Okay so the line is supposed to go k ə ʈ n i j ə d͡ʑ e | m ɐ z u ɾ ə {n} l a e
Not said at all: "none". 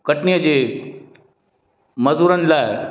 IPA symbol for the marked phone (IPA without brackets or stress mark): n